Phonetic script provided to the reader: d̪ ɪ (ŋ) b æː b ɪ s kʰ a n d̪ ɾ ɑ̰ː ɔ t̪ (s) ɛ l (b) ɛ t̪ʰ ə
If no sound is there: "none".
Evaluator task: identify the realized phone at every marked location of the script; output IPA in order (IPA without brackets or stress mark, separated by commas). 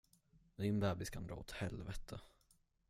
n, h, v